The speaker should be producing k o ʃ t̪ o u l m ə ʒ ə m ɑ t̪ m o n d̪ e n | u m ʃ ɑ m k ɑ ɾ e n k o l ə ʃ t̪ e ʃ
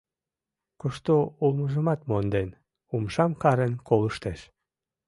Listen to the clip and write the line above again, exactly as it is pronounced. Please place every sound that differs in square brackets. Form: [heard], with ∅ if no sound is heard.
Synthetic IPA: k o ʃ t̪ o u l m ə ʒ ə m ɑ t̪ m o n d̪ e n | u m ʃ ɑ m k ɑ ɾ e n k o l ə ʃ t̪ e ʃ

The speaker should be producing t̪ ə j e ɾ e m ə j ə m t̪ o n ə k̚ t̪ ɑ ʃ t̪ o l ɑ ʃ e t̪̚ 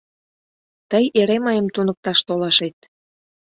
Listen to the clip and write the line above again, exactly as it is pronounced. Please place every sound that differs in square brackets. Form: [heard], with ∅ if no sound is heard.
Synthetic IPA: t̪ ə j e ɾ e m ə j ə m t̪ [u] n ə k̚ t̪ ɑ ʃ t̪ o l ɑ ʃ e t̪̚

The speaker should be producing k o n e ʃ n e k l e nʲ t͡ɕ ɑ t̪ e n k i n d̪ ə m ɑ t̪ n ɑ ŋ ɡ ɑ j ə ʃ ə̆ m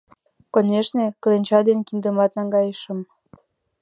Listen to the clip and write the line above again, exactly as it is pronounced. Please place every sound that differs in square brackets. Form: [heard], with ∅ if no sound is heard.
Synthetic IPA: k o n e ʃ n e k l e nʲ t͡ɕ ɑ [d̪] e n k i n d̪ ə m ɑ t̪ n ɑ ŋ ɡ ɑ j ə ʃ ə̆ m

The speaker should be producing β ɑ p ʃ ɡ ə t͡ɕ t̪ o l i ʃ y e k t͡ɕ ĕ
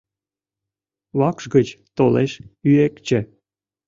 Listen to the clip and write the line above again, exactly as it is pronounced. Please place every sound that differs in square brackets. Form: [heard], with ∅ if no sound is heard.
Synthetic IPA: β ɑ [k] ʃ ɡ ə t͡ɕ t̪ o l [e] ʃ y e k t͡ɕ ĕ

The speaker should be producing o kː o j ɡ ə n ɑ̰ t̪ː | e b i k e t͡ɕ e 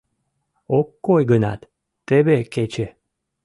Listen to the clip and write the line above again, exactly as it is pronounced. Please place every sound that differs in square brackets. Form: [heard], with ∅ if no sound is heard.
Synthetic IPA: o kː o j ɡ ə n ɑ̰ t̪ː | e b [e] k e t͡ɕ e

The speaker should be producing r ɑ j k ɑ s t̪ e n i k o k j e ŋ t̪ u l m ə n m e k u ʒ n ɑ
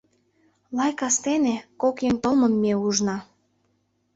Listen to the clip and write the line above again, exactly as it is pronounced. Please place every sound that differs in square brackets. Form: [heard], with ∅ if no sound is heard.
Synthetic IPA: [l] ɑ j k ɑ s t̪ e n [e] k o k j e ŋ t̪ [o] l m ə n m e [∅] u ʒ n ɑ

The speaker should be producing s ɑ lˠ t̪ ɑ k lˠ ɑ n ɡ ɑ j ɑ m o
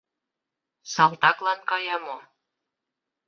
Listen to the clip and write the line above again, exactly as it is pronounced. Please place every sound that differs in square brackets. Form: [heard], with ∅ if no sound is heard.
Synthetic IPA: s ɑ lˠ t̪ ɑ k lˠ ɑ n [k] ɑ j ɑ m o

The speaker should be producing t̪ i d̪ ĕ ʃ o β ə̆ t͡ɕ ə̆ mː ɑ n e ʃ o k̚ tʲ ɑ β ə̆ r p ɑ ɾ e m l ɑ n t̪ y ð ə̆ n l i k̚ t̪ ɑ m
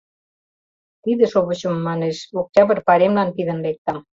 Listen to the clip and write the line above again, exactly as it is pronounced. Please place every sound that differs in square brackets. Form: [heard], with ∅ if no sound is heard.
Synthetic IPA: t̪ i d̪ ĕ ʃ o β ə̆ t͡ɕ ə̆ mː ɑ n e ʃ o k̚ tʲ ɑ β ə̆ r p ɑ ɾ e m l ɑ n t̪ [i] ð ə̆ n l [e] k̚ t̪ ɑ m

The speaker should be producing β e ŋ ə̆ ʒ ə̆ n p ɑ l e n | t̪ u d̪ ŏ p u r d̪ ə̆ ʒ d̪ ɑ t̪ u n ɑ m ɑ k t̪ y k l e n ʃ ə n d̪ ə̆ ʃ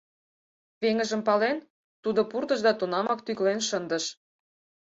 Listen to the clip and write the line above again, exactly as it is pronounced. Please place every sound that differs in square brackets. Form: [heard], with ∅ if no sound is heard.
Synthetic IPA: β e ŋ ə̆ ʒ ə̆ [m] p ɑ l e n | t̪ u d̪ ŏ p u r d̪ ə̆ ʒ d̪ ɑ t̪ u n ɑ m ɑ k t̪ y k l e n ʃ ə n d̪ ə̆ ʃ

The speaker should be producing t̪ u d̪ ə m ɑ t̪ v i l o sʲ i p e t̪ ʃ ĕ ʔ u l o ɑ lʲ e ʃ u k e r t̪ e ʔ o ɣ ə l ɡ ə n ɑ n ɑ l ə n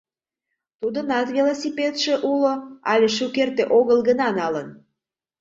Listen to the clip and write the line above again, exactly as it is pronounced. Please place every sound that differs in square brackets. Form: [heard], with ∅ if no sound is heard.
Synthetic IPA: t̪ u d̪ ə [n] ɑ t̪ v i l o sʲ i p e t̪ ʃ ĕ ʔ u l o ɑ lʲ e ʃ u k e r t̪ e ʔ o ɣ ə l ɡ ə n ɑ n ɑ l ə n

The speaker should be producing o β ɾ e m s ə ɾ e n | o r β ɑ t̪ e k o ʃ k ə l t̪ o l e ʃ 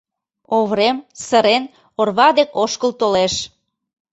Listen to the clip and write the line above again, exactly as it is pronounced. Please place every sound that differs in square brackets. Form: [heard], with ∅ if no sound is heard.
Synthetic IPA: o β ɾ e m s ə ɾ e n | o r β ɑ [d̪] e k o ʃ k ə l t̪ o l e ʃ

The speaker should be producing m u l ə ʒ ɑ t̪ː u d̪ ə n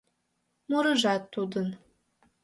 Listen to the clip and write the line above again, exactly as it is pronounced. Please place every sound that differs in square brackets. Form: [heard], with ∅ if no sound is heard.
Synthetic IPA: m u [ɾ] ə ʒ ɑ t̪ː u d̪ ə n

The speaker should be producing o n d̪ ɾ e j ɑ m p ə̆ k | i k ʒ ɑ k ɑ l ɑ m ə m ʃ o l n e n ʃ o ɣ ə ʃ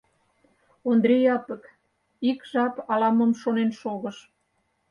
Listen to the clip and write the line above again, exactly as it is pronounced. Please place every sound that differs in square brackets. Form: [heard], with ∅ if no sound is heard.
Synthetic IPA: o n d̪ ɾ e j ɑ [∅] p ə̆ k | i k ʒ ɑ [p] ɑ l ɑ m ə m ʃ o [∅] n e n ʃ o ɣ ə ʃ

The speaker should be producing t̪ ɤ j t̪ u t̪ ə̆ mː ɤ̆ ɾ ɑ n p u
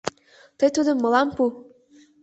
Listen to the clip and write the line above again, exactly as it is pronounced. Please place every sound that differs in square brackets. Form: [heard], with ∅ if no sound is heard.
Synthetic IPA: t̪ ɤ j t̪ u [d̪] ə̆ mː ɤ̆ [l] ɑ [m] p u

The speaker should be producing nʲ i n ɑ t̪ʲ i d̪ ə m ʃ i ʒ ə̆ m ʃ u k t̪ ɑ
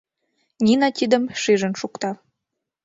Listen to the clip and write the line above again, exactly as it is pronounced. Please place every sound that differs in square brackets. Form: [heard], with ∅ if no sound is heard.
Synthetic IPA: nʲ i n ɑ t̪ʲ i d̪ ə m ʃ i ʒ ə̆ [n] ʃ u k t̪ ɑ

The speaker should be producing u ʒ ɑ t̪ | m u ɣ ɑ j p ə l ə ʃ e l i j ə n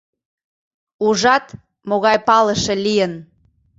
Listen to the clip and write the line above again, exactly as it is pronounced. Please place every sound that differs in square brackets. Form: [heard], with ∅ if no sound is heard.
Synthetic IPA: u ʒ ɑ t̪ | m [o] ɣ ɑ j p [ɑ] l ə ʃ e l i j ə n

